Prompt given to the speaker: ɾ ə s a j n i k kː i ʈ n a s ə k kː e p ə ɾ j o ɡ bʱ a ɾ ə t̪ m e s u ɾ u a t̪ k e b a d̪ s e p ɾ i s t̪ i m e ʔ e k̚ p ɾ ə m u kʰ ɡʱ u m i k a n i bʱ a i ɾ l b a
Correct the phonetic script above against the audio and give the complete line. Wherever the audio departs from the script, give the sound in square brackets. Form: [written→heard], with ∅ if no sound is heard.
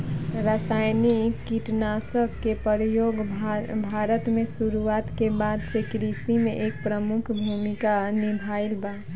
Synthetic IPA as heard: ɾ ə s a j n i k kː i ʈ n a s ə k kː e p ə ɾ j o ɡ bʱ a ɾ ə t̪ m e s u ɾ u a t̪ k e b a d̪ s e [p→k] ɾ i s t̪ i m e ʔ e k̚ p ɾ ə m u kʰ [ɡʱ→bʱ] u m i k a n i bʱ a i [ɾ→∅] l b a